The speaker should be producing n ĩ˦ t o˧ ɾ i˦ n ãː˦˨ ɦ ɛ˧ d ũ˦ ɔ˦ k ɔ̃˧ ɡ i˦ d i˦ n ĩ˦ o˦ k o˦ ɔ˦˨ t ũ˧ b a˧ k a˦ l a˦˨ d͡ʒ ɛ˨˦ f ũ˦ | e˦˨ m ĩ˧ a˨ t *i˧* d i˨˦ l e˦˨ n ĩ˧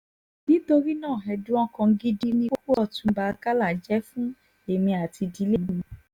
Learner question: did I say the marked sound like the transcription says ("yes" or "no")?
yes